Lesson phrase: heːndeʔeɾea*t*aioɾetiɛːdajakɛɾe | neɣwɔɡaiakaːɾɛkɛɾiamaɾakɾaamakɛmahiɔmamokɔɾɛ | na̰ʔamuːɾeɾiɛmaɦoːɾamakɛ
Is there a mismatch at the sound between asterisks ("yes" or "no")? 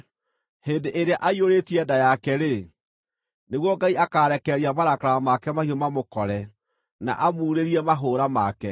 yes